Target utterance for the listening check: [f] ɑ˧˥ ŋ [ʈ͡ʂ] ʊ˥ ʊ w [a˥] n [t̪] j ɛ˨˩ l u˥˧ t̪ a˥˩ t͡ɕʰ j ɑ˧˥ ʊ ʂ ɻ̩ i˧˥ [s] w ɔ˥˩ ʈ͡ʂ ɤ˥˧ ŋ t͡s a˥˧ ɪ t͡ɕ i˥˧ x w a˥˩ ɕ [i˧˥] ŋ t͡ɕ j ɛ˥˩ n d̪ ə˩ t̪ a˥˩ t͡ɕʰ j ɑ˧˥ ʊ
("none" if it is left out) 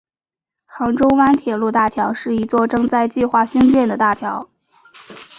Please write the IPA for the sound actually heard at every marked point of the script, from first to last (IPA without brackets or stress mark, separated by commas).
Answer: x, ʈ͡ʂ, a˥, t̪ʰ, t͡s, i˥